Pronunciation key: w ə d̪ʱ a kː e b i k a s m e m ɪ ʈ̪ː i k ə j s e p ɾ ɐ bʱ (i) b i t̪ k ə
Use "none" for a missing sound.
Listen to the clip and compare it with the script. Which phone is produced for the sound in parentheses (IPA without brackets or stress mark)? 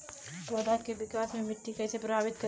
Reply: a